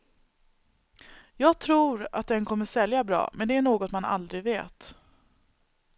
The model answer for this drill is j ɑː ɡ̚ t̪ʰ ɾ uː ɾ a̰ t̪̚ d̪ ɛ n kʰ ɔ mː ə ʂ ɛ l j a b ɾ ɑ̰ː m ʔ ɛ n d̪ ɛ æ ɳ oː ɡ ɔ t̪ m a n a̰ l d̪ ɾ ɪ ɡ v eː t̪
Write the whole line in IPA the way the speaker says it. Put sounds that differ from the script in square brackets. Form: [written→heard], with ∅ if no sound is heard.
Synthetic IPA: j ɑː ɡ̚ t̪ʰ ɾ uː ɾ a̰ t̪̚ d̪ ɛ n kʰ ɔ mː ə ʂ ɛ l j a b ɾ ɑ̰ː m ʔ ɛ n d̪ ɛ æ ɳ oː ɡ ɔ t̪ m a n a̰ l d̪ ɾ ɪ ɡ v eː t̪